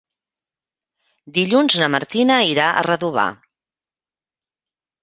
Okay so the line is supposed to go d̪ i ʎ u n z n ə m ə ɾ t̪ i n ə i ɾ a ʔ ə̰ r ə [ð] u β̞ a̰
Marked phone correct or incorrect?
correct